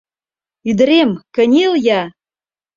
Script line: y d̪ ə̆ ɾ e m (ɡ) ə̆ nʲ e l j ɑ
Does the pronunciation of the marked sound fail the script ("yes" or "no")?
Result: yes